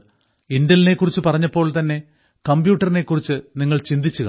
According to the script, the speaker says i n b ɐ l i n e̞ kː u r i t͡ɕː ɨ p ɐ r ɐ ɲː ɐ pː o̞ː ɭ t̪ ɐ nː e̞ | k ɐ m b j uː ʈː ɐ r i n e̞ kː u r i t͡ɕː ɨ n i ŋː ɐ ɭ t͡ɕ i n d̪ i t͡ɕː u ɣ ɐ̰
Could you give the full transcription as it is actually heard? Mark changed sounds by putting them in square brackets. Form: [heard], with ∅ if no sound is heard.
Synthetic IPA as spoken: i n [d] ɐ l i n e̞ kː u r i t͡ɕː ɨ p ɐ r ɐ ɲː ɐ pː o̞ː ɭ t̪ ɐ nː e̞ | k ɐ m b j uː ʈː ɐ r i n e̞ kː u r i t͡ɕː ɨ n i ŋː ɐ ɭ t͡ɕ i n d̪ i t͡ɕː u ɣ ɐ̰